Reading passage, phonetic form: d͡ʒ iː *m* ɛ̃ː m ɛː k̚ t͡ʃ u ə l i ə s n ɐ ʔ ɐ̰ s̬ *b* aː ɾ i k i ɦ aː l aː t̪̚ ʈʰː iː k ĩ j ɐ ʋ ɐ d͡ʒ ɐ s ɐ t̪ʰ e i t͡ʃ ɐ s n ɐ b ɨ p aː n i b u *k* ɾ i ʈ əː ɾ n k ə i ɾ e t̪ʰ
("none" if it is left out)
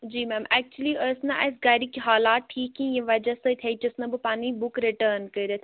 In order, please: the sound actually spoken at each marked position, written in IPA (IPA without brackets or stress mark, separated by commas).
m, ɡ, k